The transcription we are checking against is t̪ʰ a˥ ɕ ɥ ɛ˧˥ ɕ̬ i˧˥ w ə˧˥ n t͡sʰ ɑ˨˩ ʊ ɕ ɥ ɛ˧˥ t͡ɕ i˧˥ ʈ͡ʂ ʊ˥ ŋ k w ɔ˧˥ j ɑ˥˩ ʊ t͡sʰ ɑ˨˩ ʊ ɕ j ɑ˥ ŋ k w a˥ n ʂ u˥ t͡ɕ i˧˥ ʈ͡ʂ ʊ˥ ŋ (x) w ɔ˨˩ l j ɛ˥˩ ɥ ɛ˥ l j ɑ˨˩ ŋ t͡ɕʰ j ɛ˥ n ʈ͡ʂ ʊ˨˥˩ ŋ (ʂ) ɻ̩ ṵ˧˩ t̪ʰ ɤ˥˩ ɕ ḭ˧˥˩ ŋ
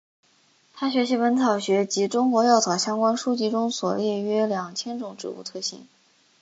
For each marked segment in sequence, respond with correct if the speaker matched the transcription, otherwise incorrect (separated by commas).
incorrect, incorrect